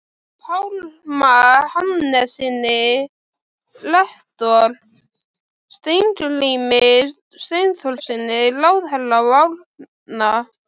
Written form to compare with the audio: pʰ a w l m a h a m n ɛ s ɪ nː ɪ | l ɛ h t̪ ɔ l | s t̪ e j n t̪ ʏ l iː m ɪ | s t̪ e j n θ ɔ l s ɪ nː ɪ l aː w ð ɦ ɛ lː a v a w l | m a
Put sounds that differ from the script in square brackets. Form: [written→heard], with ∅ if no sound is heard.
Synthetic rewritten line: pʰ a w l m a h a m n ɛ s ɪ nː ɪ | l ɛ h t̪ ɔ l | s t̪ e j n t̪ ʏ l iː m ɪ | s t̪ e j n θ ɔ l s ɪ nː ɪ l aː w ð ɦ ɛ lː a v a w l | [m→n] a

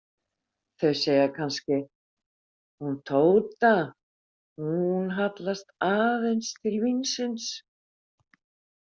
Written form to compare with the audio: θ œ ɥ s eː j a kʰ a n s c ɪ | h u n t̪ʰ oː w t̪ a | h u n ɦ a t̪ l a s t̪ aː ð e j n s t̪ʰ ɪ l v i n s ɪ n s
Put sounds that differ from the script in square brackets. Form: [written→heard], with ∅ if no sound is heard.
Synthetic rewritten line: θ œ ɥ s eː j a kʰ a n s c ɪ | h u n t̪ʰ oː w t̪ a | h u n ɦ a t̪ l a s t̪ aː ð e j n s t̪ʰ ɪ l v i n s ɪ n s

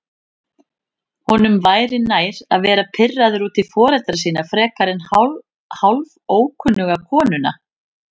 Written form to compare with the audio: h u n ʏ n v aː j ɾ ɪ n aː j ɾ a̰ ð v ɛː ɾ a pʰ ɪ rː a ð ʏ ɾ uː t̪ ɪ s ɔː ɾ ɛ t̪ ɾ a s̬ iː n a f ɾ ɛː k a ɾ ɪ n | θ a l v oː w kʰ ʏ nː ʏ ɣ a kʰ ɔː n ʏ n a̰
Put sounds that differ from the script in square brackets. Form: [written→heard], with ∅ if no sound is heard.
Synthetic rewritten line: h [u→ɔ] n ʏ [n→m] v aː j ɾ ɪ n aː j ɾ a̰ ð v ɛː ɾ a pʰ ɪ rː a ð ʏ ɾ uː t̪ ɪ [s→f] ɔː ɾ ɛ t̪ ɾ a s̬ iː n a f ɾ ɛː k a ɾ ɪ n | [θ→h] a l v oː w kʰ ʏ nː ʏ ɣ a kʰ ɔː n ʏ n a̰

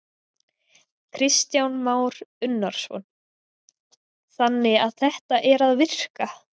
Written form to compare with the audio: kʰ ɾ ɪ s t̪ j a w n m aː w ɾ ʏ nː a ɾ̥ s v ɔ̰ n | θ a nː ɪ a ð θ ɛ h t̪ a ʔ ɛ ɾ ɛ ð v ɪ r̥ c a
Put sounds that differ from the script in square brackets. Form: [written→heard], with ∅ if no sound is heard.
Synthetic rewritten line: kʰ ɾ ɪ s t̪ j a w n m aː w ɾ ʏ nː a ɾ̥ s v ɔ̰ n | θ a nː ɪ a ð θ ɛ h t̪ a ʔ ɛ ɾ [ɛ→a] ð v ɪ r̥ [c→k] a

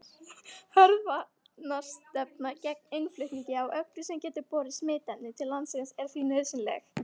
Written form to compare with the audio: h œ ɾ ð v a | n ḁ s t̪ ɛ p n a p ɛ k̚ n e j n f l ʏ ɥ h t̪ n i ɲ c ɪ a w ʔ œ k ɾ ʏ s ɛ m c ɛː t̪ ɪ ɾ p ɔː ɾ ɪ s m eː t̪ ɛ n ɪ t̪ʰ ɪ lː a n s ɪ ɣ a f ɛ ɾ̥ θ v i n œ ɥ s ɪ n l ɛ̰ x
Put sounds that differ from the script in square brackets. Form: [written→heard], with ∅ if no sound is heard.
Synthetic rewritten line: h œ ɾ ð v a | n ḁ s t̪ ɛ p n a [p→c] ɛ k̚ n e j n f l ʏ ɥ h t̪ n i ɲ c ɪ a w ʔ œ k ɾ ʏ s ɛ m c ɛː t̪ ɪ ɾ p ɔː ɾ ɪ s m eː t̪ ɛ n ɪ t̪ʰ ɪ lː a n s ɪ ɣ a [f→s] ɛ ɾ̥ θ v i n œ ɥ s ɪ n l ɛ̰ x

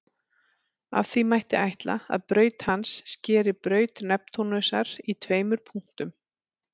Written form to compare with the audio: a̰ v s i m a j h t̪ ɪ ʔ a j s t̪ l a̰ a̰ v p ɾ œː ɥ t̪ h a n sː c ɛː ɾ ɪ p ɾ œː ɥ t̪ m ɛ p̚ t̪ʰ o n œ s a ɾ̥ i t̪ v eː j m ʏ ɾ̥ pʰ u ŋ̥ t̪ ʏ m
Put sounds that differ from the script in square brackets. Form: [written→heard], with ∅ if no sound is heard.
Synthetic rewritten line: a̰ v [s→θ] i m a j h t̪ ɪ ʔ a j [s→h] t̪ l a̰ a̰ [v→ð] p ɾ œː ɥ t̪ h a n sː c ɛː ɾ ɪ p ɾ œː ɥ t̪ [m→n] ɛ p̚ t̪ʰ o n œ s a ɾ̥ i [t̪→t̪ʰ] v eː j m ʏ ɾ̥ pʰ u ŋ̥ t̪ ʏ m

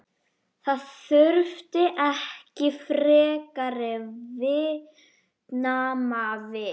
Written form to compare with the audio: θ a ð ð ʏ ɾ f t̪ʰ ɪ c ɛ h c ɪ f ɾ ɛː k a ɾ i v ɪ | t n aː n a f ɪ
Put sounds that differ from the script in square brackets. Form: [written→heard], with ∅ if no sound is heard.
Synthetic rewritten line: θ a ð [ð→θ] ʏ ɾ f [t̪ʰ→t̪] ɪ [c→ʔ] ɛ h c ɪ f ɾ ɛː k a ɾ [i→ɪ] v ɪ | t n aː [n→m] a [f→v] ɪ

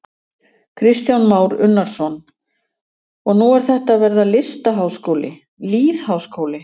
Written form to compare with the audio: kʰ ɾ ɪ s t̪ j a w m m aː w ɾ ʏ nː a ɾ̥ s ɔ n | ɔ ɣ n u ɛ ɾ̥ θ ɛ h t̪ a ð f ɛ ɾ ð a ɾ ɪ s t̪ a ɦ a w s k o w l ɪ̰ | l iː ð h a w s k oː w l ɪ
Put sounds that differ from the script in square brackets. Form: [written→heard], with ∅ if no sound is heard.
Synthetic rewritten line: kʰ ɾ ɪ s t̪ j a w [m→n] m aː w ɾ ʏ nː a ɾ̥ s ɔ n | ɔ ɣ n u ɛ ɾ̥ θ ɛ h t̪ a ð [f→v] ɛ ɾ ð a [ɾ→l] ɪ s t̪ a ɦ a w s k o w l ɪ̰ | l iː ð h a w s k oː w l ɪ

